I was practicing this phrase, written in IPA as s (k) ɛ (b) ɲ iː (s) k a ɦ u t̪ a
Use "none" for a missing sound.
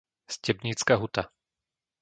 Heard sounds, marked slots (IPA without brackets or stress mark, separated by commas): c, b, t͡s